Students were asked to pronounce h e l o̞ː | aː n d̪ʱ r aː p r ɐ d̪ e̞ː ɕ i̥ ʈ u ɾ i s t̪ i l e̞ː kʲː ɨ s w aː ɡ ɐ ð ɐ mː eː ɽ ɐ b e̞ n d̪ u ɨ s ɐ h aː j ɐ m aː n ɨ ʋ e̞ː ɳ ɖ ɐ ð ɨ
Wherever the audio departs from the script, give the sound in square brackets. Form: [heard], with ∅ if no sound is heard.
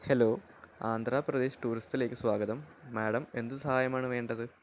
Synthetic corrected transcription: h e l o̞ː | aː n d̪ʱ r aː p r ɐ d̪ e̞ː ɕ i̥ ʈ [uː] ɾ i s t̪ i l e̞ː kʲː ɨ s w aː ɡ ɐ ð ɐ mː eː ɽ ɐ [m] e̞ n d̪ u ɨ s ɐ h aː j ɐ m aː [ɳ] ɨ ʋ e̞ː ɳ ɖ ɐ ð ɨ